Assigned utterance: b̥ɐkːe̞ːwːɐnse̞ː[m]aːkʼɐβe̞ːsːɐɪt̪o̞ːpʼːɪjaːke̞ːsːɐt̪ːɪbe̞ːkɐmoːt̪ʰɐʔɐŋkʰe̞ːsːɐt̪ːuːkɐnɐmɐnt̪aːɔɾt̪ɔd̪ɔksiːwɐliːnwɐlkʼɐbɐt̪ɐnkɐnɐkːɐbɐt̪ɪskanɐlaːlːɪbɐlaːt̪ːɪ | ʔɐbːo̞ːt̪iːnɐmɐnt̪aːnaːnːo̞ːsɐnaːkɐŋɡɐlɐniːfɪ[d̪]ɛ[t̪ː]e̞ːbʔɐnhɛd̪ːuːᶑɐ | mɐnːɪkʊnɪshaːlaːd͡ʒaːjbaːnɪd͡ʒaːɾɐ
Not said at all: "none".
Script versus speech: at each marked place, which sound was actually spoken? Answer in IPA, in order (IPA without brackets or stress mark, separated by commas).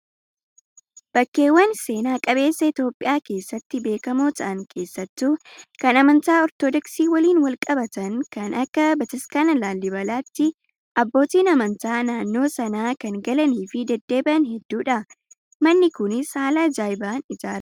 n, d̪, d̪ː